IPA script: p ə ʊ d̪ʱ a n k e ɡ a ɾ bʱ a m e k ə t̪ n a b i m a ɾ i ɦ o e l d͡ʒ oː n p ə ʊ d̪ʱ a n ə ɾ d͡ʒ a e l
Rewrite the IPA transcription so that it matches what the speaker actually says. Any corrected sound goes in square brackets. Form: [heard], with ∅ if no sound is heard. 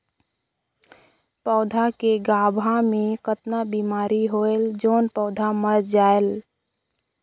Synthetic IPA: p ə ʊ d̪ʱ a [∅] k e ɡ a [∅] bʱ a m e k ə t̪ n a b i m a ɾ i ɦ o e l d͡ʒ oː n p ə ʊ d̪ʱ a [m] ə ɾ d͡ʒ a e l

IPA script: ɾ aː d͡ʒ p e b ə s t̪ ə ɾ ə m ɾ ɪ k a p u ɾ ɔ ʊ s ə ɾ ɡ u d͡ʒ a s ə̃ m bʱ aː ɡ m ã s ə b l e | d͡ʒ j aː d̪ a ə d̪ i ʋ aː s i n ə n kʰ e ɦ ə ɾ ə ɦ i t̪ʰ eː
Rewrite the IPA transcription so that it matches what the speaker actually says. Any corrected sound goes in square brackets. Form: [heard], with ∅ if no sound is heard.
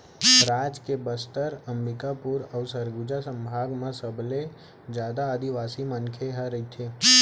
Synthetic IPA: ɾ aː d͡ʒ [k] e b ə s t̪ ə ɾ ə m ɾ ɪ k a p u ɾ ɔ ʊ s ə ɾ ɡ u d͡ʒ a s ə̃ m bʱ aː ɡ m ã s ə b l e | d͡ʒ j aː d̪ a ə d̪ i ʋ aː s i [m] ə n kʰ e ɦ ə ɾ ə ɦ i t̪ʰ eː

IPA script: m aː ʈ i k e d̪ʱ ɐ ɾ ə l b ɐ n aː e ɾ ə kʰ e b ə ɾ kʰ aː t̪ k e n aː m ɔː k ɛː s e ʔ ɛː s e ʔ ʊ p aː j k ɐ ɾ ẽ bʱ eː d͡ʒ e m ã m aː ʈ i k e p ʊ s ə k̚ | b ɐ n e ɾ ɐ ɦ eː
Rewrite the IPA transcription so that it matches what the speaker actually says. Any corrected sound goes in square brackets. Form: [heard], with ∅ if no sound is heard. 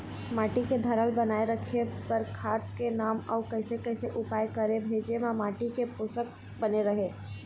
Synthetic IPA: m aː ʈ i k e d̪ʱ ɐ ɾ ə l b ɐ n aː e ɾ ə kʰ e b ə ɾ kʰ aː t̪ k e n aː m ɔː k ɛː s e [k] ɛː s e ʔ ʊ p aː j k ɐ ɾ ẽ bʱ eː d͡ʒ e m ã m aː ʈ i k e p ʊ s ə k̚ | b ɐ n e ɾ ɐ ɦ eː

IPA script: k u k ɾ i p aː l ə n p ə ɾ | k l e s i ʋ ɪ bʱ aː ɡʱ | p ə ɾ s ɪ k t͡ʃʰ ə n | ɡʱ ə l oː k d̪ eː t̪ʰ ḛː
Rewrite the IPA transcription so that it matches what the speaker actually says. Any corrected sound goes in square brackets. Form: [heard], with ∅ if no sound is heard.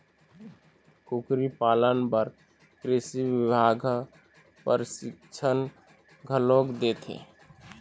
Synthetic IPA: k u k ɾ i p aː l ə n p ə ɾ | k [ɾ] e s i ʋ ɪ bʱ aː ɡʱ | p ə ɾ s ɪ k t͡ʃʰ ə n | ɡʱ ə l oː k d̪ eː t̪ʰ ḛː

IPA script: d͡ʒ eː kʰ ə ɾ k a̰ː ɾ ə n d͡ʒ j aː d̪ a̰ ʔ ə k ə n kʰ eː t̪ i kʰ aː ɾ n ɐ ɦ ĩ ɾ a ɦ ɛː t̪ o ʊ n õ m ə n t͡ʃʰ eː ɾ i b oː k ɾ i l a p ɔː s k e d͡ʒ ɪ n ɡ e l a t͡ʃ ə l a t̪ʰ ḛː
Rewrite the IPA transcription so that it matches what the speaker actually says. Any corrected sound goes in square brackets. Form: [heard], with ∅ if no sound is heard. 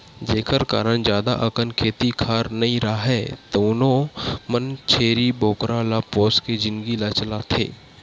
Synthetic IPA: d͡ʒ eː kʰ ə ɾ k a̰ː ɾ ə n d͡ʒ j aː d̪ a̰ ʔ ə k ə n kʰ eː t̪ i kʰ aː ɾ n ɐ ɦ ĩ ɾ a ɦ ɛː t̪ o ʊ n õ m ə n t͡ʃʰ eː ɾ i b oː k ɾ [a] l a p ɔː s k e d͡ʒ ɪ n ɡ [i] l a t͡ʃ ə l a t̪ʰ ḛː

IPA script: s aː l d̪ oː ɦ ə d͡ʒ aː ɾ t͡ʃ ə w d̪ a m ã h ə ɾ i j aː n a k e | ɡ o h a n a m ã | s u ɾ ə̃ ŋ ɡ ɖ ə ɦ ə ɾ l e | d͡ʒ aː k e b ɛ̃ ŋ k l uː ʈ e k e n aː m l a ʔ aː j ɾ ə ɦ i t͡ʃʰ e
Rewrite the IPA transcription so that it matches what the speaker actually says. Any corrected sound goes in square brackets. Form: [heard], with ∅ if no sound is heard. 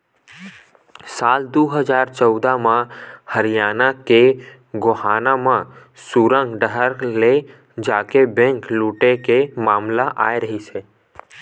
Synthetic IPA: s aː l d̪ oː ɦ ə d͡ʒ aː ɾ t͡ʃ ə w d̪ a m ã h ə ɾ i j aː n a k e | ɡ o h a n a m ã | s u ɾ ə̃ ŋ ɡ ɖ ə ɦ ə ɾ l e | d͡ʒ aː k e b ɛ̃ ŋ k l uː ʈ e k e [m] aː m l a ʔ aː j ɾ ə ɦ i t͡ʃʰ e

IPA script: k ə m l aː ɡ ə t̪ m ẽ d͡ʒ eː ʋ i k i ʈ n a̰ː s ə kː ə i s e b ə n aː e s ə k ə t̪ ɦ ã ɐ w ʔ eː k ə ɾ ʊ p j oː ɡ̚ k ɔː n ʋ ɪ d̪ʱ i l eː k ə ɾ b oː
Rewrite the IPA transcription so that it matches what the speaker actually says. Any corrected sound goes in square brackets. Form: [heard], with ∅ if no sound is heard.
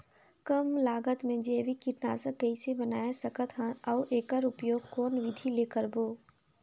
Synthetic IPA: k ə m l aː ɡ ə t̪ m ẽ d͡ʒ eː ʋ i k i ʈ n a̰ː s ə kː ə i s e b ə n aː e s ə k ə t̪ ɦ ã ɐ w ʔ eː k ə ɾ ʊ p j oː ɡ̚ k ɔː n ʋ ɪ d̪ʱ i l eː k ə ɾ b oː

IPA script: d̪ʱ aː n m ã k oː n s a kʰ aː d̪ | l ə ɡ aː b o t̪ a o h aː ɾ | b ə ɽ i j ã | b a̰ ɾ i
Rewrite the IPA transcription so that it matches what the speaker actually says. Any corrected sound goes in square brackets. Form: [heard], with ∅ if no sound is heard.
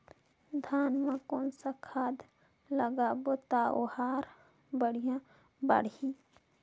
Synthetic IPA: d̪ʱ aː n m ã k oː n s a kʰ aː d̪ | l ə ɡ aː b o t̪ a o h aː ɾ | b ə ɽ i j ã | b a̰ [ɽ] i

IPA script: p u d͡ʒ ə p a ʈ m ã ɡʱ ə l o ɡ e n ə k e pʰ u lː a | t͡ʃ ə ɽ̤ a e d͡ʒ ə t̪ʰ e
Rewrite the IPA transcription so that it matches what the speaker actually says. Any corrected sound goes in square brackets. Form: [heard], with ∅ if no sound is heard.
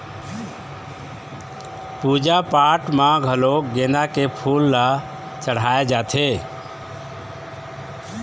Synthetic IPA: p u d͡ʒ [a] p a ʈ m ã ɡʱ ə l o ɡ e n [a] k e pʰ u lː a | t͡ʃ ə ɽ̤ a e d͡ʒ [a] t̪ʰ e

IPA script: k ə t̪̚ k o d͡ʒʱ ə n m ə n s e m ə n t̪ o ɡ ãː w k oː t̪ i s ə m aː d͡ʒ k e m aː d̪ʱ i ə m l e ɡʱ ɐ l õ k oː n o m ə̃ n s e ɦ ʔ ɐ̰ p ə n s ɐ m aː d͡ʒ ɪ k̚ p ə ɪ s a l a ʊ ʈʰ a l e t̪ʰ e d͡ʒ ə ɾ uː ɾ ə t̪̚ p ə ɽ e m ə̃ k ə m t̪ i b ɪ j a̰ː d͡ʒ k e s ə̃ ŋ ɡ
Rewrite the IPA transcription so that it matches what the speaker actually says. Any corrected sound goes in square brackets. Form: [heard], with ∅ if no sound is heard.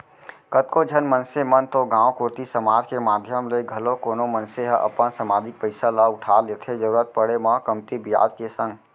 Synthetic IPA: k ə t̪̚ k o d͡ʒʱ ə n m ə n s e m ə n t̪ o ɡ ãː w k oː t̪ i s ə m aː d͡ʒ k e m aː d̪ʱ [j] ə m l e ɡʱ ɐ l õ k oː n o m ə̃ n s e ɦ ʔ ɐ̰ p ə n s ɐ m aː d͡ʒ ɪ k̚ p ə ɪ s a l a ʊ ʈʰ a l e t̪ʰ e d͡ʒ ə ɾ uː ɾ ə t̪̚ p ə ɽ e m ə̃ k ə m t̪ i b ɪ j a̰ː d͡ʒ k e s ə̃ ŋ ɡ

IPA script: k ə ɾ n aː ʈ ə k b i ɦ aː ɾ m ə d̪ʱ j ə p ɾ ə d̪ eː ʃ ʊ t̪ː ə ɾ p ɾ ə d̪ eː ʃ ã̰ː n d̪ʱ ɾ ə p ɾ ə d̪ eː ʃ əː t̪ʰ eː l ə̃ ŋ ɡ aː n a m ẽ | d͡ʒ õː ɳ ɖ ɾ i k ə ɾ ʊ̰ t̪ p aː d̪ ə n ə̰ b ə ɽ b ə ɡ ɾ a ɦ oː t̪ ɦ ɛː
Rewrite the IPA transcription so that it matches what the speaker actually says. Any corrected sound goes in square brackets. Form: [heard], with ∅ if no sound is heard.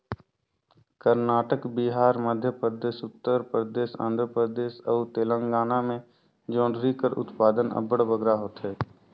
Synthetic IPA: k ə ɾ n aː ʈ ə k b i ɦ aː ɾ m ə d̪ʱ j ə p ɾ ə d̪ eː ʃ ʊ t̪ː ə ɾ p ɾ ə d̪ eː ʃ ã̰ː n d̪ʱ ɾ ə p ɾ ə d̪ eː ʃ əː [t̪] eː l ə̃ ŋ ɡ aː n a m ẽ | d͡ʒ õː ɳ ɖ ɾ i k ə ɾ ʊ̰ t̪ p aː d̪ ə n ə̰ b ə ɽ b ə ɡ ɾ a ɦ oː t̪ ɦ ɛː

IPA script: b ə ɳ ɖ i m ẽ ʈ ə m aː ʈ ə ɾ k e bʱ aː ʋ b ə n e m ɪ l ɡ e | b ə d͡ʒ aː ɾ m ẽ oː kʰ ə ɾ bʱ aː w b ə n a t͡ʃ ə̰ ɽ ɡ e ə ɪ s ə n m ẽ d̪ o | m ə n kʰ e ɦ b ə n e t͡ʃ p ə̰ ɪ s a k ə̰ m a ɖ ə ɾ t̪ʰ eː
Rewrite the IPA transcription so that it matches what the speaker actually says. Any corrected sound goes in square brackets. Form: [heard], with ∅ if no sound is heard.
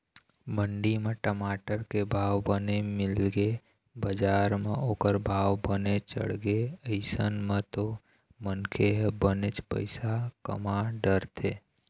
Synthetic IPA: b ə ɳ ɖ i m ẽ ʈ ə m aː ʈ ə ɾ k e bʱ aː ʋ b ə n e m ɪ l ɡ e | b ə d͡ʒ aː ɾ m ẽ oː [k] ə ɾ bʱ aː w b ə n [e] t͡ʃ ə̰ ɽ ɡ e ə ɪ s ə n m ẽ [t̪] o | m ə n kʰ e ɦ b ə n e t͡ʃ p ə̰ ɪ s a k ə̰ m a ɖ ə ɾ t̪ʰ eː

